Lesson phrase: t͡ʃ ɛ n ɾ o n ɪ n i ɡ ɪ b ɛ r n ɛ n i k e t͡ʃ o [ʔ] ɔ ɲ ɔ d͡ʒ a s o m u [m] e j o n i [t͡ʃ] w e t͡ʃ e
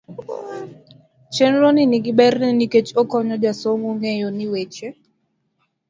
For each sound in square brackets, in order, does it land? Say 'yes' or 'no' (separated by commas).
no, no, no